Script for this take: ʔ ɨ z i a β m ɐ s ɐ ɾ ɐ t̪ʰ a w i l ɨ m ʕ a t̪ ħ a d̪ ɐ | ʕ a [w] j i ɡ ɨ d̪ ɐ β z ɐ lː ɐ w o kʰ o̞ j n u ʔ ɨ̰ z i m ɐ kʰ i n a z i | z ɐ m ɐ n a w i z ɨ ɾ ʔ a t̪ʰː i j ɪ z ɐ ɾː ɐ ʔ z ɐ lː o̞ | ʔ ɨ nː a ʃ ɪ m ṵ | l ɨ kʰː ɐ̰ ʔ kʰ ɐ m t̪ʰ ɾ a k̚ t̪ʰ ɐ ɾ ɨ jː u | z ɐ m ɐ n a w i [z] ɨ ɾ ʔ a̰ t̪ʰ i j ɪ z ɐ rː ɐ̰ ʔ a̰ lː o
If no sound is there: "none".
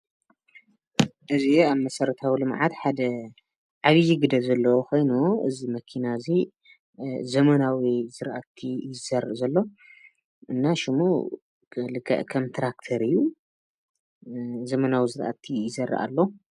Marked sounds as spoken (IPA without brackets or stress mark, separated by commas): β, z